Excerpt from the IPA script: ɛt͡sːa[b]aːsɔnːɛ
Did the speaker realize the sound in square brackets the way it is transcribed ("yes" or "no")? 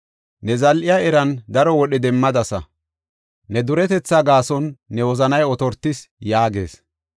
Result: no